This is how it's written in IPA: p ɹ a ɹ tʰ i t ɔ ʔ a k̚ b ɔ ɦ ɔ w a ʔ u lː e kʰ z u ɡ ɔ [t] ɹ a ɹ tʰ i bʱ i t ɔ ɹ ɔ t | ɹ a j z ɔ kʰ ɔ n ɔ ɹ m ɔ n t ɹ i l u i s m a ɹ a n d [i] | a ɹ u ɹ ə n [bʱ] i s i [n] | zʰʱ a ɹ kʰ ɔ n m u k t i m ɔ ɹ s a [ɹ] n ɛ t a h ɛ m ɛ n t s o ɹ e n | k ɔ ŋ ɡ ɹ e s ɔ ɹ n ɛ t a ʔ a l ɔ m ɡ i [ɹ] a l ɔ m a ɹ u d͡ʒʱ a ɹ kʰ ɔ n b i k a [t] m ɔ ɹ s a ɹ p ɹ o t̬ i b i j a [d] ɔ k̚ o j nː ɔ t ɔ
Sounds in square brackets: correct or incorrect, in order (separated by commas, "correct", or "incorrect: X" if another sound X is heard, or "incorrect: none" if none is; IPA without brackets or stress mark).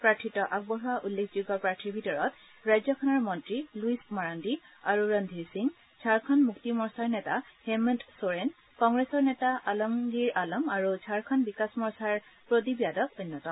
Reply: incorrect: p, correct, incorrect: dʱ, incorrect: ŋ, correct, correct, incorrect: s, correct